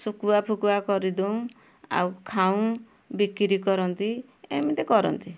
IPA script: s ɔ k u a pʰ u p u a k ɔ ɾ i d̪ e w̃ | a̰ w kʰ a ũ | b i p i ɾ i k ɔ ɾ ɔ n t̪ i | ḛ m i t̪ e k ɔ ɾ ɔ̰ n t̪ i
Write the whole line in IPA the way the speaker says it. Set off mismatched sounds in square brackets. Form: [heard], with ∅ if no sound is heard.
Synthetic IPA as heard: s [u] k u a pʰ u [k] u a k ɔ ɾ i d̪ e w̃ | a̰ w kʰ a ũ | b i [k] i ɾ i k ɔ ɾ ɔ n t̪ i | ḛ m i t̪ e k ɔ ɾ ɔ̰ n t̪ i